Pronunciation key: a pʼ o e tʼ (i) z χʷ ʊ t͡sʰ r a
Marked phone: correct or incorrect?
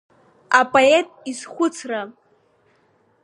correct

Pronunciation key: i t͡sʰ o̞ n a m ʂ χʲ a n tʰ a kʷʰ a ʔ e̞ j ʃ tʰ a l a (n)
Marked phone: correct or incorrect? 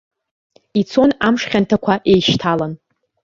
correct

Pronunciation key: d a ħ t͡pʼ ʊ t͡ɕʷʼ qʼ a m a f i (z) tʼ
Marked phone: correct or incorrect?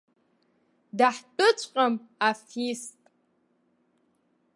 incorrect: s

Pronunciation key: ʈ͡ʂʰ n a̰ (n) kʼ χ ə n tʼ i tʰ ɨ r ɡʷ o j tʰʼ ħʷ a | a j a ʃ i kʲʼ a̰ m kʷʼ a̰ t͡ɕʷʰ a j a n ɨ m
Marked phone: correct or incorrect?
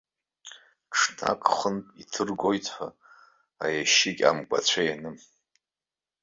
incorrect: none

